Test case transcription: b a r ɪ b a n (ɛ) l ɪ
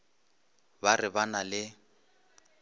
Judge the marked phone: incorrect: a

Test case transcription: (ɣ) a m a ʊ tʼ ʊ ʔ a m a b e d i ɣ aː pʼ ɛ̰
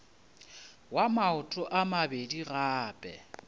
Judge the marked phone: incorrect: w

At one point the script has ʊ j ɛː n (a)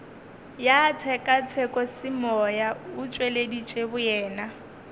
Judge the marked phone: correct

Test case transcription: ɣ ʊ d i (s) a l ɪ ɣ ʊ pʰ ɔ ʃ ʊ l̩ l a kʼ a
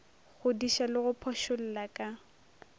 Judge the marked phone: incorrect: ʃ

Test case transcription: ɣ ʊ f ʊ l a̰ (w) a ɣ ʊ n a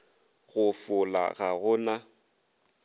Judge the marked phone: incorrect: ɣ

